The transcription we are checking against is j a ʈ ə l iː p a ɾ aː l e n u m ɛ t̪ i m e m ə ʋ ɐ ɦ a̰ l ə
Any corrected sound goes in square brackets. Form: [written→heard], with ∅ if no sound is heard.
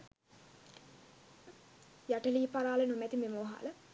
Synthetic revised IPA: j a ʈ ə l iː p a ɾ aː l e n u m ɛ t̪ i m e m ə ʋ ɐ ɦ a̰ l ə